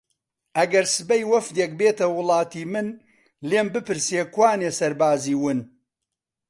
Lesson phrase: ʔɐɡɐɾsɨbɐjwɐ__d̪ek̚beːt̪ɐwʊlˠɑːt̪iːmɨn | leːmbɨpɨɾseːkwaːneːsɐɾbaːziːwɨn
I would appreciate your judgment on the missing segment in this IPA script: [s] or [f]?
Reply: f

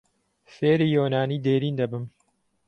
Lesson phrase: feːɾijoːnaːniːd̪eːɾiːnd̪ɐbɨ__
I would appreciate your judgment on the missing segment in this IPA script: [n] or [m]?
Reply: m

